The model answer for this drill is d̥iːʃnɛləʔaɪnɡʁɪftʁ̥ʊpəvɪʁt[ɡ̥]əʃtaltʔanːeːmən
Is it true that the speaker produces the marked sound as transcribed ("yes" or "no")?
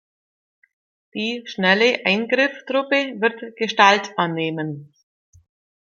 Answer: yes